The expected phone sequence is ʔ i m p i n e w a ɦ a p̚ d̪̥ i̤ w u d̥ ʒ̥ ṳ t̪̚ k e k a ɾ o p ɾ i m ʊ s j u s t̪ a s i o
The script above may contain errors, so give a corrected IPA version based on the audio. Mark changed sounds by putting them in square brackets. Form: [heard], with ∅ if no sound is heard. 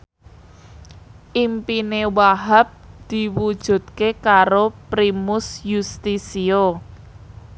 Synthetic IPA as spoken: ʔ i m p i n e w a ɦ a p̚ d̪̥ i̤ w u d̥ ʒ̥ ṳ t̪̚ k e k a ɾ o p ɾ i m ʊ s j u s t̪ [i] s i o